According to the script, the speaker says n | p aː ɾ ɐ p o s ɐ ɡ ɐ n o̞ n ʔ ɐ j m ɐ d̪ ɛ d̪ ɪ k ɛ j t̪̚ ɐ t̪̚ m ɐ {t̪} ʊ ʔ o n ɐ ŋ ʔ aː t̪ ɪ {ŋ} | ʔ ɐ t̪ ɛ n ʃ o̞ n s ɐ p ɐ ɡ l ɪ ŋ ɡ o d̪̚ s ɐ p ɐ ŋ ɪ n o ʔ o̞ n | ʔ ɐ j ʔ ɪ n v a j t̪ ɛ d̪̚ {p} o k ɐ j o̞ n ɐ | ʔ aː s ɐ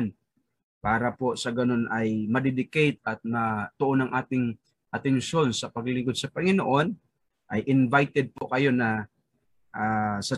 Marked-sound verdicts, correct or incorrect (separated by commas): correct, correct, correct